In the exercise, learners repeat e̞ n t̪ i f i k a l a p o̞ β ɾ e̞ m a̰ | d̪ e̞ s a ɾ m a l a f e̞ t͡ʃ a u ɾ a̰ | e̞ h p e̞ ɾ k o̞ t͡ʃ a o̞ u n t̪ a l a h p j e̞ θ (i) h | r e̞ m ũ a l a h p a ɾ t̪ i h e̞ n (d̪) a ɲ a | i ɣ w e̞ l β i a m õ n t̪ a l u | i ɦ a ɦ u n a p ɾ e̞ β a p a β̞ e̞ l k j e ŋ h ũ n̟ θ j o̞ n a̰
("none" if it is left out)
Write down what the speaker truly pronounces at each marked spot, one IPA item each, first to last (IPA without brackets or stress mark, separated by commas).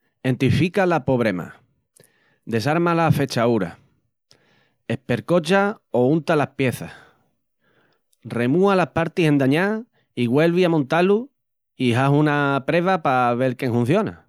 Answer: a, d̪